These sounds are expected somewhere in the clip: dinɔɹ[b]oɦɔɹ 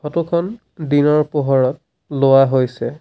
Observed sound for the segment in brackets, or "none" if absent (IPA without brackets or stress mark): p